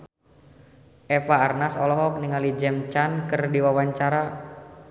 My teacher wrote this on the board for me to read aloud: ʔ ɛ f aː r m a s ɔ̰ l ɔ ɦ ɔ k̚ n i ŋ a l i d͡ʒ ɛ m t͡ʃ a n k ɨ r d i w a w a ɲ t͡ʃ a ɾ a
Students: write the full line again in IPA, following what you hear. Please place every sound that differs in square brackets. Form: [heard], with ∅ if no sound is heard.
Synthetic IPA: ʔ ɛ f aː r [n] a s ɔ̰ l ɔ ɦ ɔ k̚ n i ŋ a l i d͡ʒ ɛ m t͡ʃ a n k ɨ r d i w a w a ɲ t͡ʃ a ɾ a